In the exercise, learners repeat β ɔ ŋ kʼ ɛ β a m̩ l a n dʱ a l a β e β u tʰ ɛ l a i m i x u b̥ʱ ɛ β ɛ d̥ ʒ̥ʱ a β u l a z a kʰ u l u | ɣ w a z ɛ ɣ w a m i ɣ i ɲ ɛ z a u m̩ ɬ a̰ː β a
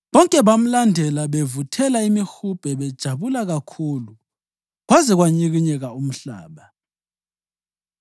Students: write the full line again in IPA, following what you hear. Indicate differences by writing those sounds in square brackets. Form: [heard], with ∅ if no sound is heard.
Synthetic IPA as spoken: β ɔ ŋ kʼ ɛ β a m̩ l a n dʱ [ɛ] l a β e [v] u tʰ ɛ l a i m i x u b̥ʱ ɛ β ɛ d̥ ʒ̥ʱ a β u l a [ɣ] a kʰ u l u | ɣ w a z ɛ ɣ w a [ɲ] i ɣ i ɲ ɛ [ɣ] a u m̩ ɬ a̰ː β a